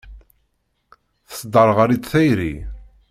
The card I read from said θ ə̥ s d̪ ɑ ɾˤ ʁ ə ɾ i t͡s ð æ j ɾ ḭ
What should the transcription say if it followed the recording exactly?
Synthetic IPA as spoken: θ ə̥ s d̪ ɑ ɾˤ ʁ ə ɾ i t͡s θ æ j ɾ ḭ